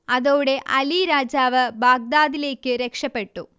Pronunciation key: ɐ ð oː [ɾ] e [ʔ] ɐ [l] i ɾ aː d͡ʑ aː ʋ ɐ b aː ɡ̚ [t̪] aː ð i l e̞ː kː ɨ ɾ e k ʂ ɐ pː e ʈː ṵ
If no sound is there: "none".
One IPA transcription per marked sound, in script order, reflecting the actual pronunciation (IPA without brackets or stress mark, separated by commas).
ɽ, ʔ, l, d̪